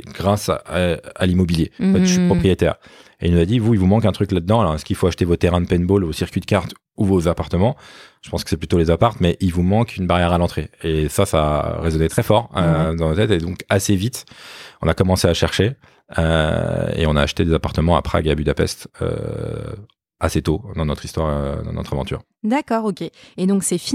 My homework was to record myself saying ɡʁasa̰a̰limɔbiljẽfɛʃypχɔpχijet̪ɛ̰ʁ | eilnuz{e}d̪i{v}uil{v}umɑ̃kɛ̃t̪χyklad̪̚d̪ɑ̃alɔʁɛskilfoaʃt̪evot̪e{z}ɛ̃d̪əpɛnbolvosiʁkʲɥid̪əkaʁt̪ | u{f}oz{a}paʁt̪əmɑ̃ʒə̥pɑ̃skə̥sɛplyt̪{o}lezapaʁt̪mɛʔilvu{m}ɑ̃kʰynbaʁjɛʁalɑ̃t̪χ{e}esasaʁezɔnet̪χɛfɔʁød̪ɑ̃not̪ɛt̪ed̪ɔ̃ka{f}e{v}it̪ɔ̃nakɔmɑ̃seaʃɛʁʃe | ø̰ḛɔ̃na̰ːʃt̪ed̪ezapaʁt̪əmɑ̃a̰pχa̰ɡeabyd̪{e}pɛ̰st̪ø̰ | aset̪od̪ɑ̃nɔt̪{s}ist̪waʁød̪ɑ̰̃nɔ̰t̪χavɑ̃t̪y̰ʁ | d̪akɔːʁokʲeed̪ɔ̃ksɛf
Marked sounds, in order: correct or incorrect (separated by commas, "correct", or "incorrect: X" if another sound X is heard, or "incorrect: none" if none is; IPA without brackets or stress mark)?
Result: incorrect: a, correct, correct, incorrect: ʁ, incorrect: v, correct, correct, correct, correct, incorrect: s, correct, incorrect: a, incorrect: χ